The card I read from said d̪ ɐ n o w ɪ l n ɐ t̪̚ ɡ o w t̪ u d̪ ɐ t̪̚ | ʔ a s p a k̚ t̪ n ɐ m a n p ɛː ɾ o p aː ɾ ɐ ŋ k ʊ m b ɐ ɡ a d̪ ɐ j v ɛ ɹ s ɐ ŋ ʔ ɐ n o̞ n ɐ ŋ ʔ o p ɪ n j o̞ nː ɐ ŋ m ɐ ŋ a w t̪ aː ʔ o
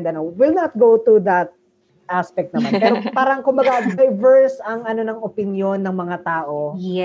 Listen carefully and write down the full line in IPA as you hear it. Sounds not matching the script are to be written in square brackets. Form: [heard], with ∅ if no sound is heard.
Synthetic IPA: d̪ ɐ n o w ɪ l n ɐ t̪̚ ɡ o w t̪ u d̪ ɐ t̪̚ | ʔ a s p [ɛ] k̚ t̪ n ɐ m a n p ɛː ɾ o p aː ɾ ɐ ŋ k ʊ m b ɐ ɡ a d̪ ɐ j v ɛ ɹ s ɐ ŋ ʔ ɐ n o̞ n ɐ ŋ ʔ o p ɪ n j o̞ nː ɐ ŋ m ɐ ŋ a [∅] t̪ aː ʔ o